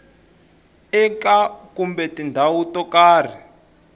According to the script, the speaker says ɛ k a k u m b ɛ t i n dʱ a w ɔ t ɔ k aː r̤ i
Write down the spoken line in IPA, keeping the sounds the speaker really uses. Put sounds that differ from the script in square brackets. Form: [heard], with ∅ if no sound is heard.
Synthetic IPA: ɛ k a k u m b ɛ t i n dʱ a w [u] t ɔ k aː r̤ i